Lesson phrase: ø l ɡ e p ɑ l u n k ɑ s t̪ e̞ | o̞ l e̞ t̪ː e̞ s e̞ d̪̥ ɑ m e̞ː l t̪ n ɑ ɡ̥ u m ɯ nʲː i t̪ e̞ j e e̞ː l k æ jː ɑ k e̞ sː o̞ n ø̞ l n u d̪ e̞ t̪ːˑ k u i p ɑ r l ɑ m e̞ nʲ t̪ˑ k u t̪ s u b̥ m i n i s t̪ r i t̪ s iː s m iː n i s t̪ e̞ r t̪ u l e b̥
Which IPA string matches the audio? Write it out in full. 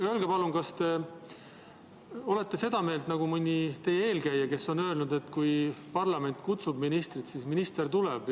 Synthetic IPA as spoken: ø l ɡ e p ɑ l u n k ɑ s t̪ e̞ | o̞ l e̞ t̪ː e̞ s e̞ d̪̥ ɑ m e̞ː l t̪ n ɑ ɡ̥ u m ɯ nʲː i t̪ e̞ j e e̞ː l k æ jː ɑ k e̞ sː o̞ n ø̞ l n u d̪ e̞ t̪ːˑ k u j p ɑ r l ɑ m e̞ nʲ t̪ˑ k u t̪ s u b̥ m i n i s t̪ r i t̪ s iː s m i n i s t̪ e̞ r t̪ u l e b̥